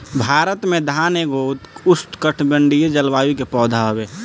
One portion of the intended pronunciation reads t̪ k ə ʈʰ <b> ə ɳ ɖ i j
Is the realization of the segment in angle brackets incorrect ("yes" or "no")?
no